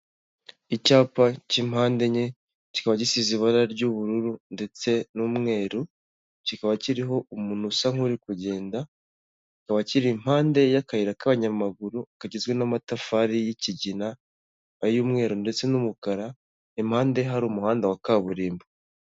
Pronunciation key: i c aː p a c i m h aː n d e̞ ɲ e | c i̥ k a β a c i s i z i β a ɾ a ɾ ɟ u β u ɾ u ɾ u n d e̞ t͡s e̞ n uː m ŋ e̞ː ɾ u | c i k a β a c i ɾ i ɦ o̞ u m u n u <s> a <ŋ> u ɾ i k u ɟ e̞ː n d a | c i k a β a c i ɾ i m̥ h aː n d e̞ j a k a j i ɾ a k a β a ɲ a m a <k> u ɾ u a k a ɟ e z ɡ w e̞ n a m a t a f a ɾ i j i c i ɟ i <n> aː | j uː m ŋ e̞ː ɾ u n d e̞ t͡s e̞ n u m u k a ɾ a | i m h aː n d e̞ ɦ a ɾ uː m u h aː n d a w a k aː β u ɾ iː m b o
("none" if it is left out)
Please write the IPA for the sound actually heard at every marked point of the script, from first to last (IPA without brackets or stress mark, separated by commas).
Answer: s, ŋ, ɡ, n